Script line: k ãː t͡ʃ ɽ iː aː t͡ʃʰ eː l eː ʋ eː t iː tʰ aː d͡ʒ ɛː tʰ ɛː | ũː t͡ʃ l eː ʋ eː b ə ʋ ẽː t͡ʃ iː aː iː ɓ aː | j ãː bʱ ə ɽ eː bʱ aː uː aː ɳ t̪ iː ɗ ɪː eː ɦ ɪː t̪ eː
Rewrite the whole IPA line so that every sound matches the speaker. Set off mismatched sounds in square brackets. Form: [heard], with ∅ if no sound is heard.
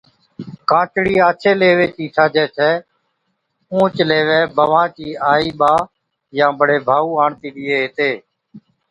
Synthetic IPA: k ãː t͡ʃ ɽ iː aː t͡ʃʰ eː l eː ʋ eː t iː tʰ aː d͡ʒ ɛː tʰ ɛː | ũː t͡ʃ l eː ʋ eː b ə ʋ [ãː] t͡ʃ iː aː iː ɓ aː | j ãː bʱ ə ɽ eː bʱ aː uː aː ɳ t̪ iː ɗ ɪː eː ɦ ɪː t̪ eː